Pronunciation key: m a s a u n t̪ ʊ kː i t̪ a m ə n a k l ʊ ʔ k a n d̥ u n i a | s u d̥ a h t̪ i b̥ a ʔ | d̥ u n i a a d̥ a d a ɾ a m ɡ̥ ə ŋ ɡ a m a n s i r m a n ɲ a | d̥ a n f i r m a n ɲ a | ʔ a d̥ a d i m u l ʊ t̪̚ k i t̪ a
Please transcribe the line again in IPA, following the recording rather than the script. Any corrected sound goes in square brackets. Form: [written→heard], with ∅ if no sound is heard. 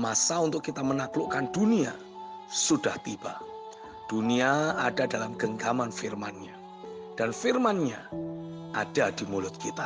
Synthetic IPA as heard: m a s a u n t̪ ʊ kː i t̪ a m ə n a k l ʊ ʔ k a n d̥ u n i a | s u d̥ a h t̪ i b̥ a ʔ | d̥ u n i a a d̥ a d a [ɾ→l] a m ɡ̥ ə ŋ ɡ a m a n [s→f] i r m a n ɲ a | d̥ a n f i r m a n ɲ a | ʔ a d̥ a d i m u l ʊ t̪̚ k i t̪ a